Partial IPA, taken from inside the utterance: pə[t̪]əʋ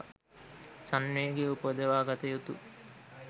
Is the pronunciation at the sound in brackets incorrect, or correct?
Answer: incorrect